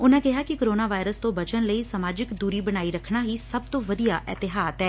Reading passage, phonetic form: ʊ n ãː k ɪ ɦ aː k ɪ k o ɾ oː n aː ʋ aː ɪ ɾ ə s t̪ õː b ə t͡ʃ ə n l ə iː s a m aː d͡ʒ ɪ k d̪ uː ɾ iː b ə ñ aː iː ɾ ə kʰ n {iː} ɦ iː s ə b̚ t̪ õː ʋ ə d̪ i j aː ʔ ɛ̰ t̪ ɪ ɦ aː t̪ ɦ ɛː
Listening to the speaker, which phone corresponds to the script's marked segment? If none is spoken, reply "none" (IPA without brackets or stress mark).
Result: aː